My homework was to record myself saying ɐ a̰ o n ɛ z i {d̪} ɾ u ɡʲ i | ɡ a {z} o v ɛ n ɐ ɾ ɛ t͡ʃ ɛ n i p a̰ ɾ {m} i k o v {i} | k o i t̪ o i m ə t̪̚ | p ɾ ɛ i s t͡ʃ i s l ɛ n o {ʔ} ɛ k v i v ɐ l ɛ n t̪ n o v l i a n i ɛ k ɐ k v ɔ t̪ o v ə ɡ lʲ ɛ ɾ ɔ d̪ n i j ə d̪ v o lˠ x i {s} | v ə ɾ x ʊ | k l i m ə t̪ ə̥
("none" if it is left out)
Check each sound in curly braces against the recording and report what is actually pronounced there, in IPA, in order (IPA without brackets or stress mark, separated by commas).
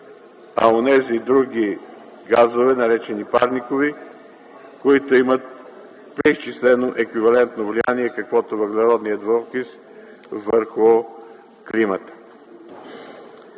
d̪, z, n, i, ʔ, s